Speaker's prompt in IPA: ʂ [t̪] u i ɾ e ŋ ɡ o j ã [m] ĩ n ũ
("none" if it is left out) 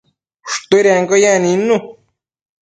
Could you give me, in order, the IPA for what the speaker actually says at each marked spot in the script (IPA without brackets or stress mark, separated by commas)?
t̪, n